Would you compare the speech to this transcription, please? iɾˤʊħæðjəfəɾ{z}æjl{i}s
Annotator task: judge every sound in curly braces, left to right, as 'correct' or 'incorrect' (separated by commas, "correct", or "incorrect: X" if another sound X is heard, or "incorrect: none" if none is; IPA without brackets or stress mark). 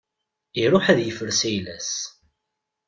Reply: incorrect: s, incorrect: æ